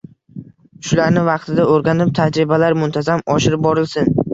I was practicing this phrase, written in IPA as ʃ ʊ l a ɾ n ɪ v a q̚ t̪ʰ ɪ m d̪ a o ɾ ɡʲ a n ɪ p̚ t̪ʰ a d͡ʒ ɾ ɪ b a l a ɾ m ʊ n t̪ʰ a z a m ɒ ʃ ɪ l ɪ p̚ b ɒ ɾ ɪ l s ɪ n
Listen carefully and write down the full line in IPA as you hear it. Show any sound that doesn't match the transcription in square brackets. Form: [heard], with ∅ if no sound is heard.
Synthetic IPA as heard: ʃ ʊ l a ɾ n ɪ v [ɑ] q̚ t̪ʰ ɪ [∅] d̪ a o ɾ ɡʲ a n ɪ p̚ t̪ʰ a d͡ʒ ɾ ɪ b a l a ɾ m ʊ n t̪ʰ a z a m ɒ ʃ ɪ [ɾ] ɪ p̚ b ɒ ɾ ɪ l s ɪ n